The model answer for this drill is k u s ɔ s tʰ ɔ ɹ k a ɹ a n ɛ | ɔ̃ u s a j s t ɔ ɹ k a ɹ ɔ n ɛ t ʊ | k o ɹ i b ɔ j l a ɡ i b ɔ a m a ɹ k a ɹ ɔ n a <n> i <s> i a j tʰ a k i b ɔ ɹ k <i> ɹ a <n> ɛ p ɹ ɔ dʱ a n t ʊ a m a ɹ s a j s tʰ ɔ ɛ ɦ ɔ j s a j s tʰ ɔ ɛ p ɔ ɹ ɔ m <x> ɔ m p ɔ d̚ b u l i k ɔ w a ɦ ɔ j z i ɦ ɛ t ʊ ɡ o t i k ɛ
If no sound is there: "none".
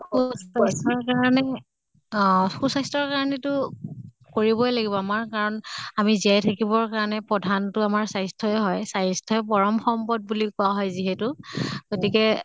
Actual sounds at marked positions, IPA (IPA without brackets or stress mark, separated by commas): m, z, a, n, x